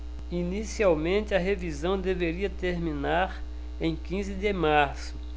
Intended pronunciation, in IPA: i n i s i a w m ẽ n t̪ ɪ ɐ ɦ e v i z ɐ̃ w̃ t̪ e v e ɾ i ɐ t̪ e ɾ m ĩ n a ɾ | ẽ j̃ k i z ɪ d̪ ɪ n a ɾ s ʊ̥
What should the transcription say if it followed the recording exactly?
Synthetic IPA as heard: i n i s i a w m ẽ n t̪ ɪ ɐ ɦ e v i z ɐ̃ w̃ d̪ e v e ɾ i ɐ t̪ e ɾ m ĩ n a ɾ | ẽ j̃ k ĩ z ɪ d̪ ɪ m a ɾ s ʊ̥